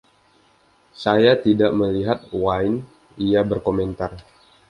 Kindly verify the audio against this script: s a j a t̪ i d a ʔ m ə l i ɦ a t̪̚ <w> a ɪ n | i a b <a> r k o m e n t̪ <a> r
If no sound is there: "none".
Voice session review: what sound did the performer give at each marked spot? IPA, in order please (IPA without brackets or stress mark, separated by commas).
w, ə, a